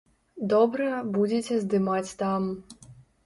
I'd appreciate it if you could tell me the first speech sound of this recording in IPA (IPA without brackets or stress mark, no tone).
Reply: d̪